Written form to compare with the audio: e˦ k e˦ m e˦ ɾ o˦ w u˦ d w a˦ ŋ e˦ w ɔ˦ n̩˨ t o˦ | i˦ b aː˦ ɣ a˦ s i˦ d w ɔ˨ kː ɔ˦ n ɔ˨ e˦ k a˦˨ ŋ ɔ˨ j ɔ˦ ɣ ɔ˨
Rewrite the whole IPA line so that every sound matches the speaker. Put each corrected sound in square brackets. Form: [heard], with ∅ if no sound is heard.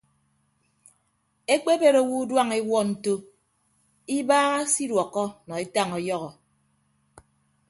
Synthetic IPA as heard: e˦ [k͡p] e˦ [b] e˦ ɾ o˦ w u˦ d w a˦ ŋ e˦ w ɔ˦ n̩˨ t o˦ | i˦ b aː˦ ɣ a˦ s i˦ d w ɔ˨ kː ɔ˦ n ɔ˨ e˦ [t] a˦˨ ŋ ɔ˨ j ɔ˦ ɣ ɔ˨